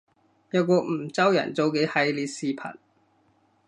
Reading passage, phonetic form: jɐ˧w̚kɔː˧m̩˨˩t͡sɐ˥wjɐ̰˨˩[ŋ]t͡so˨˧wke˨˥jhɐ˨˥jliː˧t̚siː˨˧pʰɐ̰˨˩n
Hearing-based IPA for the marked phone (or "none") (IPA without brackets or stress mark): n